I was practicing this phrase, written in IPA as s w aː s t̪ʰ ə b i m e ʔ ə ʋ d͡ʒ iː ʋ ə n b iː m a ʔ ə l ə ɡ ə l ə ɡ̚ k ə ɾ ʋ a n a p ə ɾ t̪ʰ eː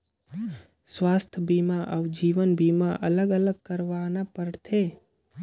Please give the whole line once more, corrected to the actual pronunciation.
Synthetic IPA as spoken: s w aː s t̪ʰ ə b i m a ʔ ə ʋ d͡ʒ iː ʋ ə n b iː m a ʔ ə l ə ɡ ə l ə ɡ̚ k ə ɾ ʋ a n a p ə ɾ t̪ʰ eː